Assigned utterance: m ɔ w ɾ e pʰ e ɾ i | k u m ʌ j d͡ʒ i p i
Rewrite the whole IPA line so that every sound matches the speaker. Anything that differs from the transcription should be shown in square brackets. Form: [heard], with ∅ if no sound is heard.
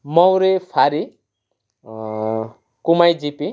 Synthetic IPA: m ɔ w ɾ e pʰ [a] ɾ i | k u m [a] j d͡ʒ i p i